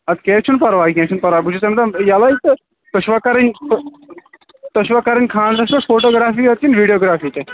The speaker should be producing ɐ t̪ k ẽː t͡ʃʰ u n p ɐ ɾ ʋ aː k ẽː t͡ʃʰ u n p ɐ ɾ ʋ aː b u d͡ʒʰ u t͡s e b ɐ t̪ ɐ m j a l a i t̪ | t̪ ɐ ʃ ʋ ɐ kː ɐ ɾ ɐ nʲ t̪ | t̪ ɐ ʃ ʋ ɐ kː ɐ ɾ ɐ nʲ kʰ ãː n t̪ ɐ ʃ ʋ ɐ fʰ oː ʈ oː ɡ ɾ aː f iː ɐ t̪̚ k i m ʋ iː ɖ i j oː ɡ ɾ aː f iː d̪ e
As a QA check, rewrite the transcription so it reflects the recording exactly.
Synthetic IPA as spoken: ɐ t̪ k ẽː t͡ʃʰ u n p ɐ ɾ ʋ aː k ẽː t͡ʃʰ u n p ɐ ɾ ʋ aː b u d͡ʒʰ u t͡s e m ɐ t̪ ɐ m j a l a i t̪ | t̪ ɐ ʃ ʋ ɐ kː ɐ ɾ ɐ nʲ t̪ | t̪ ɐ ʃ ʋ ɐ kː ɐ ɾ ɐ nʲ kʰ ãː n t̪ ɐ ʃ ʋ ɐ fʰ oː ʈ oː ɡ ɾ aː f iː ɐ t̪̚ k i n ʋ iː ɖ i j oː ɡ ɾ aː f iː t̪ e